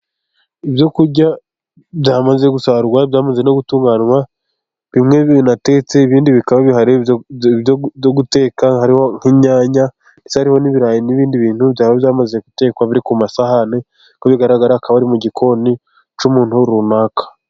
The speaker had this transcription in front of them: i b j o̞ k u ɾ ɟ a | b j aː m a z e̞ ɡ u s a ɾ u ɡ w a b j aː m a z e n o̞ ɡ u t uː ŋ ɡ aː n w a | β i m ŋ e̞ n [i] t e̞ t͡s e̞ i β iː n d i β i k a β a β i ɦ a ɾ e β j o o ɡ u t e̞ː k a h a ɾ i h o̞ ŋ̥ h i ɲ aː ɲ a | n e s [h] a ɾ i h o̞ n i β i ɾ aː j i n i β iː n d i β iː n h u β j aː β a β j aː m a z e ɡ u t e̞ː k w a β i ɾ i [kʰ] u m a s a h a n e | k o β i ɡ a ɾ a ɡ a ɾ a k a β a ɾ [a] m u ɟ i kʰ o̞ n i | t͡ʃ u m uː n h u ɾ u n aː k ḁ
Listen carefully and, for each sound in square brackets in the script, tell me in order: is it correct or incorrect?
incorrect: a, correct, incorrect: k, incorrect: i

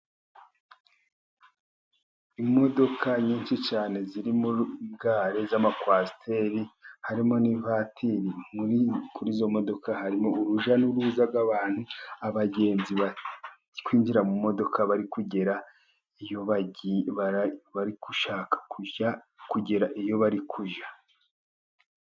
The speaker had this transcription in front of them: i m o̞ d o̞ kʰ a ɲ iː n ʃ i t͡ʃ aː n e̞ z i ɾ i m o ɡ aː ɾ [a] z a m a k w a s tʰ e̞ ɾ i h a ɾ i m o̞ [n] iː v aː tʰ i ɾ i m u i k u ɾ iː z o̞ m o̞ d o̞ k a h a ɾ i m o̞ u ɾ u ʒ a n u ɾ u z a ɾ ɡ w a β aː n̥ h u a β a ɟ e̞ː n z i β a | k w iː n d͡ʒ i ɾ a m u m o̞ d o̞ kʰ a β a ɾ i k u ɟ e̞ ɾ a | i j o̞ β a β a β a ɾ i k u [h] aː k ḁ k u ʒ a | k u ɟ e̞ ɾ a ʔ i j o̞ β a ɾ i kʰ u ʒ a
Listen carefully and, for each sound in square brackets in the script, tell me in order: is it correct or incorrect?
incorrect: e, correct, incorrect: ʃ

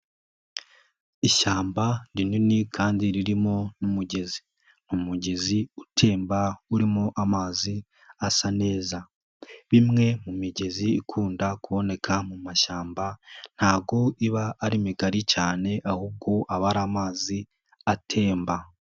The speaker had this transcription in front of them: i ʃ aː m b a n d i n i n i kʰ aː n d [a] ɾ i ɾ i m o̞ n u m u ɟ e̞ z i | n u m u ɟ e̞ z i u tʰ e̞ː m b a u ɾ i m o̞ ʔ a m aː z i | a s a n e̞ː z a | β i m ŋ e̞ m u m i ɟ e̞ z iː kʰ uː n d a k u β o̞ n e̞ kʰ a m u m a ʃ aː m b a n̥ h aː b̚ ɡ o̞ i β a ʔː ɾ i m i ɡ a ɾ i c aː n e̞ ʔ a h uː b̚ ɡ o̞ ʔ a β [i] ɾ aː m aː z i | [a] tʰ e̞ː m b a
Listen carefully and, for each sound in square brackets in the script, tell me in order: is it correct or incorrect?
incorrect: i, incorrect: a, correct

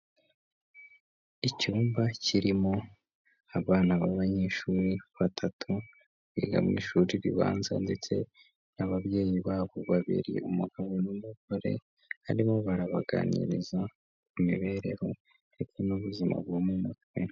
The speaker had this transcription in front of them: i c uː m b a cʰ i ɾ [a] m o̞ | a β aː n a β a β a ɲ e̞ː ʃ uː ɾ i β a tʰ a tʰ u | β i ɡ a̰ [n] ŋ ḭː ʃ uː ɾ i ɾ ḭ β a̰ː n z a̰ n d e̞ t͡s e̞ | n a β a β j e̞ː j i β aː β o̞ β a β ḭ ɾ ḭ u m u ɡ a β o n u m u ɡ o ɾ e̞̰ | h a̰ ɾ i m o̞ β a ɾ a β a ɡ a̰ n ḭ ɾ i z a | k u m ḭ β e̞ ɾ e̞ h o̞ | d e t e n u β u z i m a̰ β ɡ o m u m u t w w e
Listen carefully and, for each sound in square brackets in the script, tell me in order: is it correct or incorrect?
incorrect: i, incorrect: m

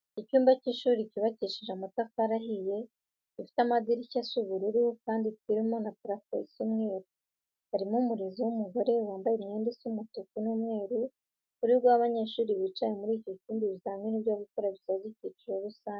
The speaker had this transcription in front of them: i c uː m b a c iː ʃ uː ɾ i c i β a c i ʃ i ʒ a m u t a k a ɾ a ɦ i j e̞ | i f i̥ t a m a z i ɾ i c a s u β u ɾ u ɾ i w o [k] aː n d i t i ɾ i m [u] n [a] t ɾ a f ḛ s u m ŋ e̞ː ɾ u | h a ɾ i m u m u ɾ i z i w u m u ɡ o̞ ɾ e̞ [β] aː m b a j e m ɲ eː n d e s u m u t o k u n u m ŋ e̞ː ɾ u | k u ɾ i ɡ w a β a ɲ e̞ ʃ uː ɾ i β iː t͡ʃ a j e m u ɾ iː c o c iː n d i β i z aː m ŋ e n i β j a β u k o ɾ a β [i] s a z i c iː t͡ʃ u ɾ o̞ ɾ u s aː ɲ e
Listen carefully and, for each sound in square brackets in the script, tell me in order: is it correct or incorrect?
correct, incorrect: o, correct, incorrect: w, correct

